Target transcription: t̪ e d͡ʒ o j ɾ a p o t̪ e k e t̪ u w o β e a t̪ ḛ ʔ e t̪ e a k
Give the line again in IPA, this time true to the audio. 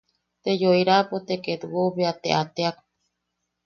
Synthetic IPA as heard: t̪ e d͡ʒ o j ɾ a p o t̪ e k e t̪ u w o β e a t̪ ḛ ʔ a t̪ e a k